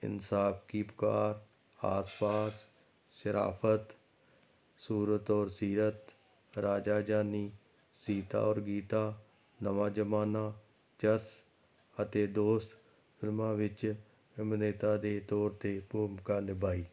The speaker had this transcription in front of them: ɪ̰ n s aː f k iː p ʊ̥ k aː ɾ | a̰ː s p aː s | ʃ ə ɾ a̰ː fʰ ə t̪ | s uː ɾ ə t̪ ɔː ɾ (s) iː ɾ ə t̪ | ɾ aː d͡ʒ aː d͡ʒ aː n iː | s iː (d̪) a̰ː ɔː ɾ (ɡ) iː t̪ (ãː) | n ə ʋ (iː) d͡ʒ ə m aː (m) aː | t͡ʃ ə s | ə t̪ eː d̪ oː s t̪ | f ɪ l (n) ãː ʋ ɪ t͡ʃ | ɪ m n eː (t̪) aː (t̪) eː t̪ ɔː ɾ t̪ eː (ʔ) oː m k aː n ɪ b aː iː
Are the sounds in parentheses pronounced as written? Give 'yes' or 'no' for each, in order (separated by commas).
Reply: yes, no, yes, no, no, no, no, yes, no, no